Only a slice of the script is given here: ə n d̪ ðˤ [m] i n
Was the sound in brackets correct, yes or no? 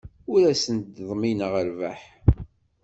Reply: yes